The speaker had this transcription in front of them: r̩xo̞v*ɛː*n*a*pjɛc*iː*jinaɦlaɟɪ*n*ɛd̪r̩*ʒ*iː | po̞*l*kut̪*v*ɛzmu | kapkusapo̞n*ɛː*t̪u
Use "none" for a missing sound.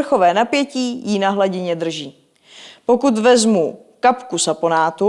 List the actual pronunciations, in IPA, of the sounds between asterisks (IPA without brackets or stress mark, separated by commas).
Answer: ɛː, a, iː, ɲ, ʒ, none, v, aː